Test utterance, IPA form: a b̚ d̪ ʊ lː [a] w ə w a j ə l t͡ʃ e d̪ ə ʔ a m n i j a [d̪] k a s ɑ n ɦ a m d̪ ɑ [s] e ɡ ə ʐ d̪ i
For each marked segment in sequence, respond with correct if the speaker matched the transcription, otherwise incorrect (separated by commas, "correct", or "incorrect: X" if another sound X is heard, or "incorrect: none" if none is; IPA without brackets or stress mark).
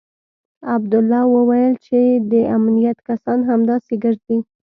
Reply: incorrect: ɑ, incorrect: t̪, correct